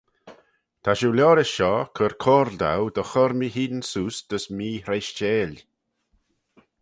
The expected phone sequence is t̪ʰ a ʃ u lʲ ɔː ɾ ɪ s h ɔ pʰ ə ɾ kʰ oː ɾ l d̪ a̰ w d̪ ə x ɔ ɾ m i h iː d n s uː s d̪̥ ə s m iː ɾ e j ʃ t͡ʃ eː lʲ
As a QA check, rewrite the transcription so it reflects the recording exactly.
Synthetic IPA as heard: t̪ʰ a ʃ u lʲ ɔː ɾ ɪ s ʃ ɔ kʰ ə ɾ kʰ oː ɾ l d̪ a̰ w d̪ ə x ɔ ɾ m i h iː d n s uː s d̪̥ ə s m iː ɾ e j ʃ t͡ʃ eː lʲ